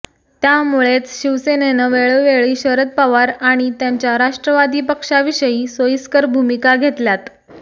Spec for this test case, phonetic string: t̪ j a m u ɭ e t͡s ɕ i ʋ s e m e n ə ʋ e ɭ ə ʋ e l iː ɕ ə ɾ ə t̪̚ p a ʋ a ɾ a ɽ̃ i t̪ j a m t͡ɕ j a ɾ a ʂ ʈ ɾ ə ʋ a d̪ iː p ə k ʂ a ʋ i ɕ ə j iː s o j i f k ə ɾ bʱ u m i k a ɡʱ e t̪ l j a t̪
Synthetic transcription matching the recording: t̪ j a m u ɭ e t͡s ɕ i ʋ s e n e n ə ʋ e ɭ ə ʋ e ɭ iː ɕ ə ɾ ə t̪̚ p a ʋ a ɾ a ɽ̃ i t̪ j a ɲ t͡ɕ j a ɾ a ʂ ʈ ɾ ə ʋ a d̪ iː p ə k ʂ a ʋ i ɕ ə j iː s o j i s k ə ɾ bʱ u m i k a ɡʱ e t̪ l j a t̪